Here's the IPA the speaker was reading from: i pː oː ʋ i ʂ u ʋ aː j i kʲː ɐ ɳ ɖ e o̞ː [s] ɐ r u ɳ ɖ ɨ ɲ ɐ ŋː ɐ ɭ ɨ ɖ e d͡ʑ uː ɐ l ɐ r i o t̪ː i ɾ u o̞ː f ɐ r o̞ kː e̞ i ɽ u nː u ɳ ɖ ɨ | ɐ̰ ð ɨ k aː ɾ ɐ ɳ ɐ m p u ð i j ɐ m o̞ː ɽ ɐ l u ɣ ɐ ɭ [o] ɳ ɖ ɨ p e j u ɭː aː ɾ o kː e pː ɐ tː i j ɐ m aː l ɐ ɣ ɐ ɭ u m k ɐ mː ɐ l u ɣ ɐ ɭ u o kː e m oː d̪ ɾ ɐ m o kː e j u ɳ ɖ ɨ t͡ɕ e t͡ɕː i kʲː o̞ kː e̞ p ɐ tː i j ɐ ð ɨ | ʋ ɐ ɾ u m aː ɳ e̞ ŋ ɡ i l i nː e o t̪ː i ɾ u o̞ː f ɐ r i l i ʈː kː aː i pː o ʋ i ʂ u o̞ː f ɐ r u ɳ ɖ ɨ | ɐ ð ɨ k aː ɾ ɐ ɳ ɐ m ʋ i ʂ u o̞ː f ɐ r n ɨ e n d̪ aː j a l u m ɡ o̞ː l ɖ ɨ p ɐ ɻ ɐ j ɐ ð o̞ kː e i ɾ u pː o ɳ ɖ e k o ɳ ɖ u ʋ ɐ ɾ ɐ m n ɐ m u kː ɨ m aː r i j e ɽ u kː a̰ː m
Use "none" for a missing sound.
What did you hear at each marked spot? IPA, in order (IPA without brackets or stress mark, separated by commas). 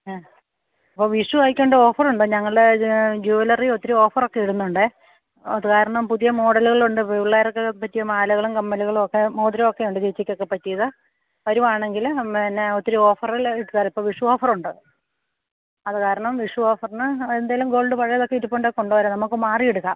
f, u